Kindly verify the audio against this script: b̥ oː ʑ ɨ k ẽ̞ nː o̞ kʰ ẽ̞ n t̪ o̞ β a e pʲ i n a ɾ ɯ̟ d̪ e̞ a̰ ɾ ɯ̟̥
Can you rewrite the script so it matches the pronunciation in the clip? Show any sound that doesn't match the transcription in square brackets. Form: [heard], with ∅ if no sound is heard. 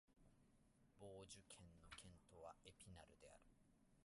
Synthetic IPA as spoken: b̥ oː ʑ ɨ [kʰ] ẽ̞ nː o̞ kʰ ẽ̞ n t̪ o̞ β a e pʲ i n a ɾ ɯ̟ d̪ e̞ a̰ ɾ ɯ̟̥